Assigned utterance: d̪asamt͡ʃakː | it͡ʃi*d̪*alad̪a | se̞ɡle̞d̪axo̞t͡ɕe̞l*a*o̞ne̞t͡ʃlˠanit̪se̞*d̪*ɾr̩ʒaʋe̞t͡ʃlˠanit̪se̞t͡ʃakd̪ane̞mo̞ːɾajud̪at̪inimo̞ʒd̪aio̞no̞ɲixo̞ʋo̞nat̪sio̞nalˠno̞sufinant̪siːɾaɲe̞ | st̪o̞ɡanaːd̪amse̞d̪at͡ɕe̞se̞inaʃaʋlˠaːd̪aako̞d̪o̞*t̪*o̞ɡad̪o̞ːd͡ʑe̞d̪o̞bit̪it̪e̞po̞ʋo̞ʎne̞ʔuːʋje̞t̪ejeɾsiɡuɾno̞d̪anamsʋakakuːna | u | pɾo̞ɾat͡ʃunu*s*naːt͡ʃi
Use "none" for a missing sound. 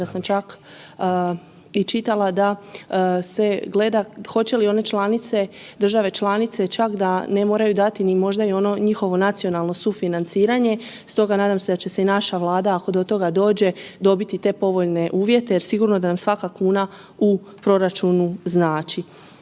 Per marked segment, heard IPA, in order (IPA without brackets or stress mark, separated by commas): t̪, i, d̪, t̪, z